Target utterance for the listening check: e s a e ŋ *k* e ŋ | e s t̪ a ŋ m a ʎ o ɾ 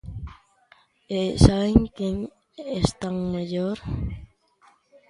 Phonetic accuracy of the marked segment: correct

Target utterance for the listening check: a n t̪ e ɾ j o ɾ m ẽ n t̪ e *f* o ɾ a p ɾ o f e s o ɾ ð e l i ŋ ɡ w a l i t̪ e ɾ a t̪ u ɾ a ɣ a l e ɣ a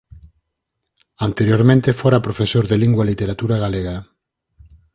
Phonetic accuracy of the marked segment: correct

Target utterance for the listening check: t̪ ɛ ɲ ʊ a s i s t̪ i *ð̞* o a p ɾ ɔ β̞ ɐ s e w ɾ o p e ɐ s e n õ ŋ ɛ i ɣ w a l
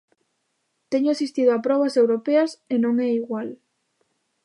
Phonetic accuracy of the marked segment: correct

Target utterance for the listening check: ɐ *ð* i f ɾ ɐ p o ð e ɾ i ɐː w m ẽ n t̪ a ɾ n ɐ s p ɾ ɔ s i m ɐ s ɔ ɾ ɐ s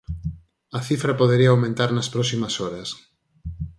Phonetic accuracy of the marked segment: incorrect: θ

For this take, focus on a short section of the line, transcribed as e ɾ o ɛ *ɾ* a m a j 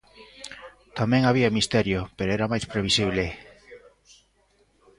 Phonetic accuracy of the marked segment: correct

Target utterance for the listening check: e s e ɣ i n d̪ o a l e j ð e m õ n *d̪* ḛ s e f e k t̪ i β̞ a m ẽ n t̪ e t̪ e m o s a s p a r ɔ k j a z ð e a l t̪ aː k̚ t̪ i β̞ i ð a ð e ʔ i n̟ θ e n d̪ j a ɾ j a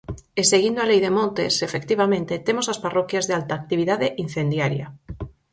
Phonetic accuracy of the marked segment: incorrect: t̪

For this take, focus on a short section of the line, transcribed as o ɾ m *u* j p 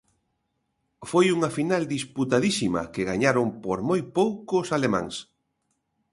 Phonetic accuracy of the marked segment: incorrect: o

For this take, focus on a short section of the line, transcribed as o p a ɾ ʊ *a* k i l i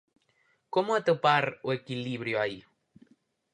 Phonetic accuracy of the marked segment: incorrect: e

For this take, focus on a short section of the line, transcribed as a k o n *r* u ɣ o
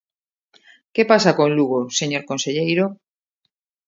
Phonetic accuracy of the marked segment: incorrect: l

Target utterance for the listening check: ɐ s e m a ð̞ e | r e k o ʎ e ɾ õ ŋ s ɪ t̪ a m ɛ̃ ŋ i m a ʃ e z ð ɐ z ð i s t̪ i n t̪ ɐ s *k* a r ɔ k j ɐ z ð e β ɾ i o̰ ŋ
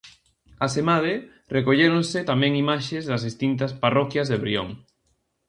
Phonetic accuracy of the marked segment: incorrect: p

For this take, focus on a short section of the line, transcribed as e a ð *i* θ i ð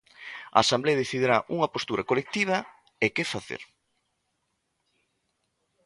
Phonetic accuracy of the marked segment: incorrect: e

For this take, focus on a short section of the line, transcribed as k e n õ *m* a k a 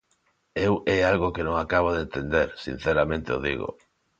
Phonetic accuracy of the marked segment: incorrect: ŋ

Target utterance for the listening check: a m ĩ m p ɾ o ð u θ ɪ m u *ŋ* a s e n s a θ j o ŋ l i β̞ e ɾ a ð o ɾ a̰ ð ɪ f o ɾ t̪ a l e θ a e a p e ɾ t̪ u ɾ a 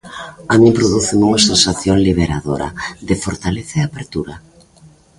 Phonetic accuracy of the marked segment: correct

